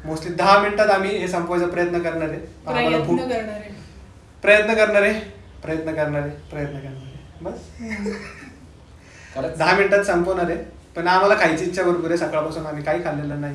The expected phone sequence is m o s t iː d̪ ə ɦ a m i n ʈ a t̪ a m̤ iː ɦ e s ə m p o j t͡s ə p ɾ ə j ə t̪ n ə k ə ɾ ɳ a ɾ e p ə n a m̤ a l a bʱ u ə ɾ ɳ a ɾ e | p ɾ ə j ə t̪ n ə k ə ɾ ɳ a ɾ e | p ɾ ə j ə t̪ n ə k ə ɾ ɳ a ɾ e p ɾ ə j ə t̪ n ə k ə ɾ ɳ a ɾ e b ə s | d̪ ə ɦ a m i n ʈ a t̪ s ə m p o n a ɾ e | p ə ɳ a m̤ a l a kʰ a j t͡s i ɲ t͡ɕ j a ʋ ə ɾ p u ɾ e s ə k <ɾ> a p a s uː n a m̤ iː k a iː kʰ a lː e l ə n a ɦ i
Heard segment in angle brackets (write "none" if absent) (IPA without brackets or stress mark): ɭ